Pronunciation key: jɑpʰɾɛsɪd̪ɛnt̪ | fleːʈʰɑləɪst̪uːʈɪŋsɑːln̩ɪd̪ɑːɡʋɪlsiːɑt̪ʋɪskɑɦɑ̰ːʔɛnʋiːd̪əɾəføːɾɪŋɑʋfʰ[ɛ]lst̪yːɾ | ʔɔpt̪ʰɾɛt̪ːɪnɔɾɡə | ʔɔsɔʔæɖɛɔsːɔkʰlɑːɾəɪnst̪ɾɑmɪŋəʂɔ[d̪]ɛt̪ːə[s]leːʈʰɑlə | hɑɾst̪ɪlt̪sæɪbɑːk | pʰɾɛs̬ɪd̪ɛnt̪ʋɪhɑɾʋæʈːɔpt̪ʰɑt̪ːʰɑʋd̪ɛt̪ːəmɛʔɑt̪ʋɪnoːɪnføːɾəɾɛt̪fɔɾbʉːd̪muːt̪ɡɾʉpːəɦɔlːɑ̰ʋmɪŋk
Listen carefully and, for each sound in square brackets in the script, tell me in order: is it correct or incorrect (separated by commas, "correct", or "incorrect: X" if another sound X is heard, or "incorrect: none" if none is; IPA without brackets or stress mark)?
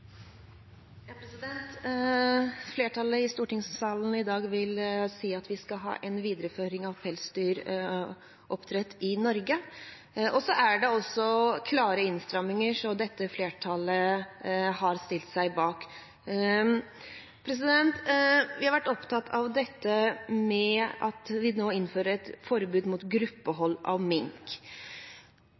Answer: correct, correct, incorrect: f